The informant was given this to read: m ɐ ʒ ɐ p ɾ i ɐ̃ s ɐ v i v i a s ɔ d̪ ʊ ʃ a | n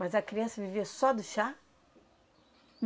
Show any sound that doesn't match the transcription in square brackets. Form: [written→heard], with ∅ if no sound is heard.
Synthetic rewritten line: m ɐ [ʒ→z] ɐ [p→k] ɾ i ɐ̃ s ɐ v i v i [a→ɐ] s ɔ d̪ ʊ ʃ a | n